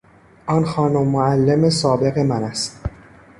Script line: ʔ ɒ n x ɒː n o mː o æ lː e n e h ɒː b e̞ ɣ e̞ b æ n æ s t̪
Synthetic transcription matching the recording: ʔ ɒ n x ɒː n o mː o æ lː e m e s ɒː b e̞ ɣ e̞ m æ n æ s t̪